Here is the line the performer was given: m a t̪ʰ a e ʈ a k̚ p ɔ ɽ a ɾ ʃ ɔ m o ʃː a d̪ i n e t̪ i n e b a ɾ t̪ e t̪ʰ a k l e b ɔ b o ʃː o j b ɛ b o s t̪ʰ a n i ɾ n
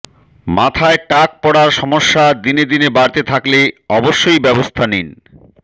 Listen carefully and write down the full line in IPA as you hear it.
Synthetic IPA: m a t̪ʰ a e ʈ a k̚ p ɔ ɽ a ɾ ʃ ɔ m o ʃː a d̪ i n e d̪ i n e b a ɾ t̪ e t̪ʰ a k l e ɔ b o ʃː o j b ɛ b o s t̪ʰ a n i n